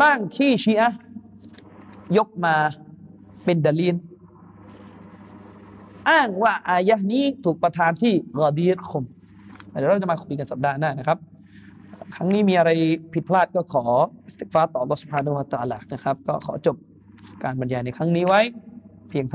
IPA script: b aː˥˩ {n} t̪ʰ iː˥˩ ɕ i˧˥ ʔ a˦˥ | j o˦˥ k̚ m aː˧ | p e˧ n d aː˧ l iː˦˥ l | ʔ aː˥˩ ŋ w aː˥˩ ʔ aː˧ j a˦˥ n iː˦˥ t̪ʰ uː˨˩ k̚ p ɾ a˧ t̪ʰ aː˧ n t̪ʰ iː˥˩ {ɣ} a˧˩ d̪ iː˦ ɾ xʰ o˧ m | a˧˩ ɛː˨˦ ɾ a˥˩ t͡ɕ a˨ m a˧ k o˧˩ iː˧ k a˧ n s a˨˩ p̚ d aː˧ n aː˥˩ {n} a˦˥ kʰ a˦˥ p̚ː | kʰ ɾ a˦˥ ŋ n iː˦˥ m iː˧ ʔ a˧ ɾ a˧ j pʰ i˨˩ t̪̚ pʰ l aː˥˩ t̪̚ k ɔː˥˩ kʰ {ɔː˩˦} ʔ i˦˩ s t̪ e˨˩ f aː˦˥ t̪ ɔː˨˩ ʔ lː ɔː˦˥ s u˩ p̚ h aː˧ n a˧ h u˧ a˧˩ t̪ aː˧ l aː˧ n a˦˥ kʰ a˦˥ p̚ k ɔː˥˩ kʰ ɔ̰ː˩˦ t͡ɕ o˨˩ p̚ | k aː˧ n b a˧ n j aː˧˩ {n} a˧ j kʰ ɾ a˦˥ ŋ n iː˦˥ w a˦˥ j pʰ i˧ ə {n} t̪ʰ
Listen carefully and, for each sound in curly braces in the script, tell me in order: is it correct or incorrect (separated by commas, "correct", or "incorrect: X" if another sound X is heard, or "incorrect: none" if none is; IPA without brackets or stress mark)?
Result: incorrect: ŋ, correct, correct, correct, correct, incorrect: ŋ